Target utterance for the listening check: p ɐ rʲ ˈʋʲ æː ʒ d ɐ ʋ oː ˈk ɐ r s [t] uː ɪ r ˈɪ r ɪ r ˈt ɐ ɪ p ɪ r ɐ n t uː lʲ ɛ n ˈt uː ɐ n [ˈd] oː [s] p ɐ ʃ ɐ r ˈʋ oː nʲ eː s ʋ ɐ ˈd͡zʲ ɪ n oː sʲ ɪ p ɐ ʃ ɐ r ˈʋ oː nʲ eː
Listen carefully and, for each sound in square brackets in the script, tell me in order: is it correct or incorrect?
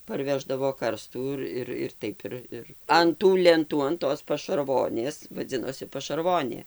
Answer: correct, incorrect: t, correct

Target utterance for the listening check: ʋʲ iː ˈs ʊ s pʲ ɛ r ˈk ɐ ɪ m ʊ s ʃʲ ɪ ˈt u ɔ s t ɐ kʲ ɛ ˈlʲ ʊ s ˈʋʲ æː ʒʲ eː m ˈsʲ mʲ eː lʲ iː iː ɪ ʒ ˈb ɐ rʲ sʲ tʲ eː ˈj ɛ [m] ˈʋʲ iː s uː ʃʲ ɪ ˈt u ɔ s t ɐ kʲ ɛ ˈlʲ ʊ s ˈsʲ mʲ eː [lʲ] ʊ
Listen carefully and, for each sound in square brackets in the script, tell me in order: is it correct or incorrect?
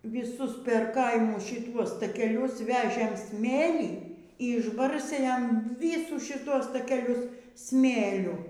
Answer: correct, correct

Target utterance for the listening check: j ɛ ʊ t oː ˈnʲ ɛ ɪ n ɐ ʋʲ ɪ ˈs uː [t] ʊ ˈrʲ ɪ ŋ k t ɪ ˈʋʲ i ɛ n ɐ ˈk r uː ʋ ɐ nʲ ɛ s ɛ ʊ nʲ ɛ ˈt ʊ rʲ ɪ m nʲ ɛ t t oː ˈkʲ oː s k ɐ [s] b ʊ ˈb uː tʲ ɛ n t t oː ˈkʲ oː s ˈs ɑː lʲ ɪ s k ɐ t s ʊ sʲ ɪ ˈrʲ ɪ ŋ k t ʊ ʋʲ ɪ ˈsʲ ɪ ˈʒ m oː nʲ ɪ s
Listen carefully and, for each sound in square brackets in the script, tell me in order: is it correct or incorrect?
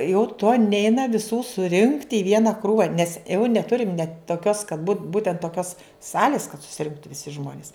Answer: incorrect: s, incorrect: t

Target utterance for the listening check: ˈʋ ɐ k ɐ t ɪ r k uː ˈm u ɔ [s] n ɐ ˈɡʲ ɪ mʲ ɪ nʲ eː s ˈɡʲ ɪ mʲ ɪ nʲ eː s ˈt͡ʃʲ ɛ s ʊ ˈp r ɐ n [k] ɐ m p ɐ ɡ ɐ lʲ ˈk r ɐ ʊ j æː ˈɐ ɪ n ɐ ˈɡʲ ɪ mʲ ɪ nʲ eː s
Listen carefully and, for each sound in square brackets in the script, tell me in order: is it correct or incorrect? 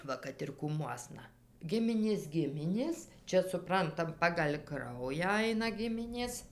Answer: correct, incorrect: t

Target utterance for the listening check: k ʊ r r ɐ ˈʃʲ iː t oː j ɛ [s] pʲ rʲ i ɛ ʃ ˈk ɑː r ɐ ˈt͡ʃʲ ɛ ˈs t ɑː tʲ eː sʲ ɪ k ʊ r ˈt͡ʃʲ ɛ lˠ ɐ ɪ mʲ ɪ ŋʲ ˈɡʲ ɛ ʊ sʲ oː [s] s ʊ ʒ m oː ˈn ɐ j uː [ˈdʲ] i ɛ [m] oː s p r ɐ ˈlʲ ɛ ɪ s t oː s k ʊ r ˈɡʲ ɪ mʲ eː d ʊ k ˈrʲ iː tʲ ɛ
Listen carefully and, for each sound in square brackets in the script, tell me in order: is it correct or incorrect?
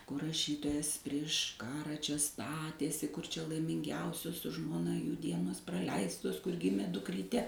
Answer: correct, correct, correct, incorrect: n

